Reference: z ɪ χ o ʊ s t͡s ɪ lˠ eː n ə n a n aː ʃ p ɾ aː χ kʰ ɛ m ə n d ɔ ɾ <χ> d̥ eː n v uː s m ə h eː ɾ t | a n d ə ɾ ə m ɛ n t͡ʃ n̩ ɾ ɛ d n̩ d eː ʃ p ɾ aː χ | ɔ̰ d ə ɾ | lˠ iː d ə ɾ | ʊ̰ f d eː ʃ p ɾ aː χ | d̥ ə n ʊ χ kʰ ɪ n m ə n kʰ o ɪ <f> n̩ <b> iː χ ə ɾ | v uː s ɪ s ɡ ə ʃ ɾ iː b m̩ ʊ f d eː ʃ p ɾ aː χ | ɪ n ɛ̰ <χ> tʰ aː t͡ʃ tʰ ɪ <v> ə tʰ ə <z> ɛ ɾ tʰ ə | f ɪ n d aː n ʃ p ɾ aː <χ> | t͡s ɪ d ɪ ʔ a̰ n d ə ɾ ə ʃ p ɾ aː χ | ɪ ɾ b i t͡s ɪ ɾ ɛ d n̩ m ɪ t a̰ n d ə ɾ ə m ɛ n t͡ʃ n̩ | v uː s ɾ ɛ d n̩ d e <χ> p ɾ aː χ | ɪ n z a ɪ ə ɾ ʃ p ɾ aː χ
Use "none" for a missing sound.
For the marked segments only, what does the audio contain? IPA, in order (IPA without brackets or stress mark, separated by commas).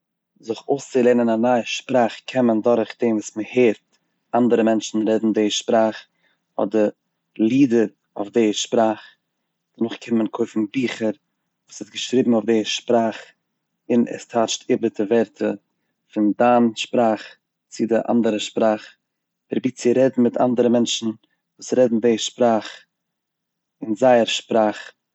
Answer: χ, f, b, s, b, v, χ, ʃ